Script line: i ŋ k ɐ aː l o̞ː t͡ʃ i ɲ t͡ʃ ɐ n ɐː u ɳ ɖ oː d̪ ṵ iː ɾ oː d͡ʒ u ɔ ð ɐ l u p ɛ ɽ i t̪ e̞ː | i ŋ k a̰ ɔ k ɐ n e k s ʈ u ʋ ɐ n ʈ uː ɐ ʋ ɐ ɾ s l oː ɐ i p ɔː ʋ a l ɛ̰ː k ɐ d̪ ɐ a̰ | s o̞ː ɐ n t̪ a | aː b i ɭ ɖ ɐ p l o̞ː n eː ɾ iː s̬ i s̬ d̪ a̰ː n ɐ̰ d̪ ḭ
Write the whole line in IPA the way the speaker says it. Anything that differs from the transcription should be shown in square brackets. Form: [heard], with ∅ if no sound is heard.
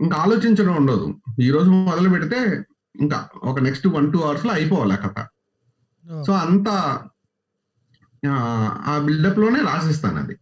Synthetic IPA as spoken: i ŋ k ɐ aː l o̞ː t͡ʃ i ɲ t͡ʃ ɐ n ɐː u ɳ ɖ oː d̪ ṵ iː ɾ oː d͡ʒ u ɔ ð ɐ l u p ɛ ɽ i t̪ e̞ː | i ŋ k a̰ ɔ k ɐ n e k s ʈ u ʋ ɐ n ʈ uː ɐ ʋ ɐ ɾ s l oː ɐ [j] p ɔː ʋ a l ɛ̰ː k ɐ [t̪] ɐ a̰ | s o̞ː ɐ n t̪ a | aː b i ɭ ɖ ɐ p l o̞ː n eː ɾ [aː] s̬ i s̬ [t̪] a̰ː n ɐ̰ d̪ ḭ